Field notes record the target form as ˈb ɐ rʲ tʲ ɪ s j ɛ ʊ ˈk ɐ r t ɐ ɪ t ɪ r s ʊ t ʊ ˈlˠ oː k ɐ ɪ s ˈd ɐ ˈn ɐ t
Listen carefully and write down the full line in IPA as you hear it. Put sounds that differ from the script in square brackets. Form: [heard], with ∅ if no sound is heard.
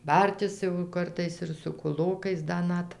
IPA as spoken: ˈb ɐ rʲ tʲ ɪ s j ɛ ʊ ˈk ɐ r t ɐ ɪ [s] ɪ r s ʊ [k] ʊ ˈlˠ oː k ɐ ɪ s ˈd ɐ ˈn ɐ t